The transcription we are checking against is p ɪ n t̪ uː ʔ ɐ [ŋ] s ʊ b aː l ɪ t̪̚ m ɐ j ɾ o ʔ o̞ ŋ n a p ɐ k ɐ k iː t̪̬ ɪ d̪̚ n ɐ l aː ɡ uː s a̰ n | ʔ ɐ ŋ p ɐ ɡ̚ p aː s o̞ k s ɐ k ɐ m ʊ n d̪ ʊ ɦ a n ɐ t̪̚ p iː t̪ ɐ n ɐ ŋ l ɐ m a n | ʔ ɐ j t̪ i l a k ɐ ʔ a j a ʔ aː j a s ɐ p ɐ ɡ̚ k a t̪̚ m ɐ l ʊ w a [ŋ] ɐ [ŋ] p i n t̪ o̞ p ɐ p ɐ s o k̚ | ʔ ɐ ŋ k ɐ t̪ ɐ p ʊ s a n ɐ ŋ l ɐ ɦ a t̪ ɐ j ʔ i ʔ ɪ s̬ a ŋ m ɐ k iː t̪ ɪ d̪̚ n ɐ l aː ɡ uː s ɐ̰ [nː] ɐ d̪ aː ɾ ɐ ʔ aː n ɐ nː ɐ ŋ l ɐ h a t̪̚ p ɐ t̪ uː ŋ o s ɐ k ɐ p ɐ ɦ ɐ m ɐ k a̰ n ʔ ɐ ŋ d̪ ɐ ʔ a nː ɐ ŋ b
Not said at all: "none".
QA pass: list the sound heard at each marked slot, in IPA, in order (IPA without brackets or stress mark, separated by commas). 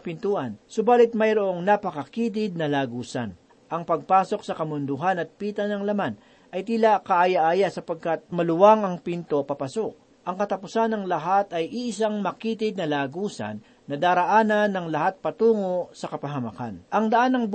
n, ŋ, ŋ, nː